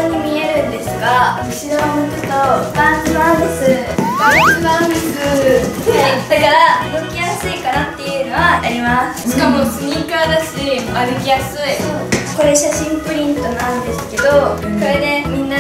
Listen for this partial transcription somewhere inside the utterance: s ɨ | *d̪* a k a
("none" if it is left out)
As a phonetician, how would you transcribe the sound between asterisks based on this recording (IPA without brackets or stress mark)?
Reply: d̪